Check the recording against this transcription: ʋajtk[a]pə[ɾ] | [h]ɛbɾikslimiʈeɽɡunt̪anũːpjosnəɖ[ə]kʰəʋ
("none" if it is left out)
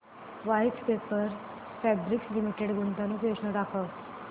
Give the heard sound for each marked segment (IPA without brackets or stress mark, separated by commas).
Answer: e, ɾ, f, a